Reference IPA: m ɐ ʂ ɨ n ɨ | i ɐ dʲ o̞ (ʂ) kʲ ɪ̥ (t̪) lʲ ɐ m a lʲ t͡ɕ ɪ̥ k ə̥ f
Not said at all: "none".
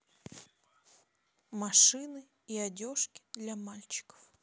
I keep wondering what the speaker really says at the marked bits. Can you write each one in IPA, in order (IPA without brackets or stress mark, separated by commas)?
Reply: ʂ, d̪